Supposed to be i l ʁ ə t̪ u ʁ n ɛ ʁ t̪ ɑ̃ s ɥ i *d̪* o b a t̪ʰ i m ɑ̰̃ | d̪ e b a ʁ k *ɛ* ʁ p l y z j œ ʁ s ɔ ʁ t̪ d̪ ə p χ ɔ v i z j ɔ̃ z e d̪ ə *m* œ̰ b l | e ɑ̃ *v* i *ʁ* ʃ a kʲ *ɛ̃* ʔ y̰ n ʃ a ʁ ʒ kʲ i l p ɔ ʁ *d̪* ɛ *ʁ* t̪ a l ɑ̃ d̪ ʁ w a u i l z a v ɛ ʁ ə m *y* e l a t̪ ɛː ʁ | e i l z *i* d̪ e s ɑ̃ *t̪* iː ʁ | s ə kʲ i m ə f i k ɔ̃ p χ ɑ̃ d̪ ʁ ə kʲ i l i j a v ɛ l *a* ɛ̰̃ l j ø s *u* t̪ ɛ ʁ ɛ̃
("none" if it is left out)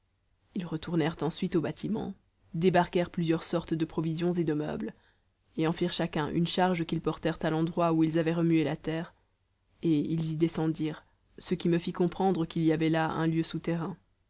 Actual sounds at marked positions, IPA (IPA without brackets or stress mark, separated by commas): t̪, ɛ, m, f, ʁ, ɛ̃, t̪, ʁ, y, i, d̪, a, u